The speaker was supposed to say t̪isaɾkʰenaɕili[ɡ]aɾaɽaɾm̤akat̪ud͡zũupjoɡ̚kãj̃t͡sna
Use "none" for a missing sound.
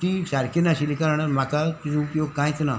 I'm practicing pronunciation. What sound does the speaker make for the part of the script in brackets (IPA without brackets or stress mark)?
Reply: k